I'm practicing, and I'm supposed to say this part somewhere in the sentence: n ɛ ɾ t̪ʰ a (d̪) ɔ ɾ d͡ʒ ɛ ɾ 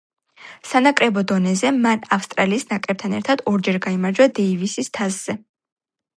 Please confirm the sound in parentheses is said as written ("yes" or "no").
yes